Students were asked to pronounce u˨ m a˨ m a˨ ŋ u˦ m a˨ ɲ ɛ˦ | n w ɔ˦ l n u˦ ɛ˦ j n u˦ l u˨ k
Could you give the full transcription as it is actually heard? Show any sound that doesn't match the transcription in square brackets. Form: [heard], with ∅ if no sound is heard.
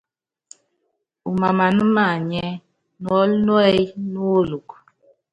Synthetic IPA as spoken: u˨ m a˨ m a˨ [n] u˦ m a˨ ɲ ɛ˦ | n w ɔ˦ l n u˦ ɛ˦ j n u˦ l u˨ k